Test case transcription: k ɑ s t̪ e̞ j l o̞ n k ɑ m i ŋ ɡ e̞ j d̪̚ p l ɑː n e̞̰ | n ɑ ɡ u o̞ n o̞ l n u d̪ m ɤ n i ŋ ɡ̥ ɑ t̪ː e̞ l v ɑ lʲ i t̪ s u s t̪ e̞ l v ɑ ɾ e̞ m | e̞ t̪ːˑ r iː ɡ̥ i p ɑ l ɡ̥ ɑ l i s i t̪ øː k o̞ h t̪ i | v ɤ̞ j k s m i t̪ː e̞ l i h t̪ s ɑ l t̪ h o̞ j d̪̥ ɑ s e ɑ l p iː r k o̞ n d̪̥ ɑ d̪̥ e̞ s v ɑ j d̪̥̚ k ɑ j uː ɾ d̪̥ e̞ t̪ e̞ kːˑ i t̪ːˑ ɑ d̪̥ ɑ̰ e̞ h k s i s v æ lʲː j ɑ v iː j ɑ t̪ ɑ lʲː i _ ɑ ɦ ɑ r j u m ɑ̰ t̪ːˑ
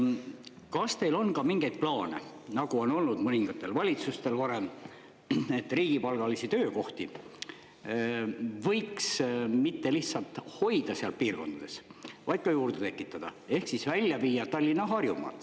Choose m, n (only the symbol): n